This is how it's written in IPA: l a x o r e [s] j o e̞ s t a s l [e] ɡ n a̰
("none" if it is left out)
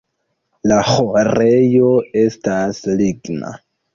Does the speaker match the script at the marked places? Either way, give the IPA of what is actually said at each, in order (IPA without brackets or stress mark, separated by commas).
none, i